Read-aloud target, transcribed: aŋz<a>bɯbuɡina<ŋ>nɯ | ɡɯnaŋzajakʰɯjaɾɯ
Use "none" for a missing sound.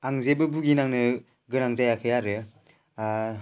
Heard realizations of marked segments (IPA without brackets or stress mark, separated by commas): e, ŋ